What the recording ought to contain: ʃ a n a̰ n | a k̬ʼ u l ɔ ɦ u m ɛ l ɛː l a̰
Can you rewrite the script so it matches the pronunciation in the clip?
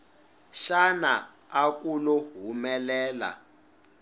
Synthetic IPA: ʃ a n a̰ | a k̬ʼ u l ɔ ɦ u m ɛ l ɛː l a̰